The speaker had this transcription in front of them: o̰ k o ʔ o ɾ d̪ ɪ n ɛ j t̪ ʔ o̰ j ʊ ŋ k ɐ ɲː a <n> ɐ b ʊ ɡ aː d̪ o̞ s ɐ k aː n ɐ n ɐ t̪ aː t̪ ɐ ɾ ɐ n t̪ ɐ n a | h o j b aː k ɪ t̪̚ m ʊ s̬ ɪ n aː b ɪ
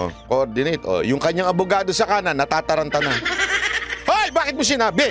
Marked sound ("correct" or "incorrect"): incorrect